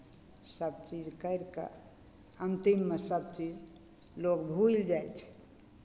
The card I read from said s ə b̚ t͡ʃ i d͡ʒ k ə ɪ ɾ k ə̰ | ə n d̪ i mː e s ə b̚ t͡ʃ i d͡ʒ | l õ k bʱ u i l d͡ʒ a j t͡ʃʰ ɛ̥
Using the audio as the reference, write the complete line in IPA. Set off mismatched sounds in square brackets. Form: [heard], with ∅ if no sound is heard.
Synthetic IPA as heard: s ə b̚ t͡ʃ i d͡ʒ k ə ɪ ɾ k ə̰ | ə n [t̪] i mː e s ə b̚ t͡ʃ i d͡ʒ | l [o] k bʱ u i l d͡ʒ a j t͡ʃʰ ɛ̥